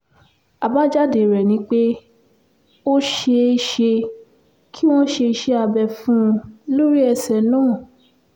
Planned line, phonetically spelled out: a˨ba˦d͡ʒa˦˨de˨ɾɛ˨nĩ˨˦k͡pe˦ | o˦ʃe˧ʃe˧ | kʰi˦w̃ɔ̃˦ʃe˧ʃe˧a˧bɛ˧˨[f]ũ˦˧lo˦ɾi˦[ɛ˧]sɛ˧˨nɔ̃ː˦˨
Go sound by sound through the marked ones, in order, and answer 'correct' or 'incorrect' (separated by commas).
correct, correct